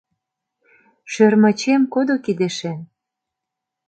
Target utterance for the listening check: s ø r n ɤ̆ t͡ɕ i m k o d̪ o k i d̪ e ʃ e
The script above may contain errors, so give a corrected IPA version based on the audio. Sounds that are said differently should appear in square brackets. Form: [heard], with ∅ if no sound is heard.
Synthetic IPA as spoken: [ʃ] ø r [m] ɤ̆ t͡ɕ [e] m k o d̪ o k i d̪ e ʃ e